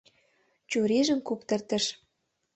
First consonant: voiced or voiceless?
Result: voiceless